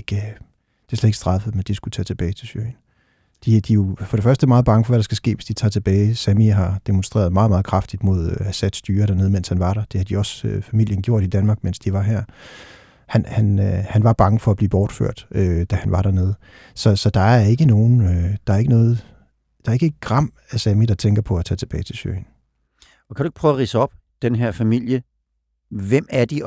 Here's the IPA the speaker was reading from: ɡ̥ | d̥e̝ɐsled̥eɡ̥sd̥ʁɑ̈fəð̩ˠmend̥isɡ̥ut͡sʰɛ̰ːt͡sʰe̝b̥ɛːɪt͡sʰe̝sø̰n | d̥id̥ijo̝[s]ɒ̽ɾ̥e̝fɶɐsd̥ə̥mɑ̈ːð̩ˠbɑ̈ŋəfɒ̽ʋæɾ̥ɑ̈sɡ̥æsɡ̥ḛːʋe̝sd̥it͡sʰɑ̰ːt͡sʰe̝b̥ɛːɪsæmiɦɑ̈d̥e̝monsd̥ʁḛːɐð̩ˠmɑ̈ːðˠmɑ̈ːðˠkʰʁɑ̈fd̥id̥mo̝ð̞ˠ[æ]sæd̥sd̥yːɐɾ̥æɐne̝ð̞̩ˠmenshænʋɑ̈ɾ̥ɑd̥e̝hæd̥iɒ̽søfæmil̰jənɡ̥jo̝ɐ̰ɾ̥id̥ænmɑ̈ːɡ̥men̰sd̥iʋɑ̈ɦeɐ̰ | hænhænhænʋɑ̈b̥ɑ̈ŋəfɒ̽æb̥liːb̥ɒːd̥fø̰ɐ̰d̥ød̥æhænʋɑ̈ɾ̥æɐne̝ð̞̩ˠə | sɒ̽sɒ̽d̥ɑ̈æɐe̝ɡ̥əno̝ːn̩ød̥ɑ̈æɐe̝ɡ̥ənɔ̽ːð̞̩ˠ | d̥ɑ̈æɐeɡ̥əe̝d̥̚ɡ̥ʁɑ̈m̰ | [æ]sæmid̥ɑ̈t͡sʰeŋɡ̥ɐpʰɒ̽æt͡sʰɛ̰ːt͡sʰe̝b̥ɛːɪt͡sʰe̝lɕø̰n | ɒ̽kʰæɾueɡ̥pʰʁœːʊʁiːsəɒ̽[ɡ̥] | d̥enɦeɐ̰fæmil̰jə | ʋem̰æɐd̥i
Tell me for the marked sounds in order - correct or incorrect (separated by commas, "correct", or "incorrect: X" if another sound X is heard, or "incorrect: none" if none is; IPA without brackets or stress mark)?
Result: incorrect: f, correct, correct, incorrect: b̥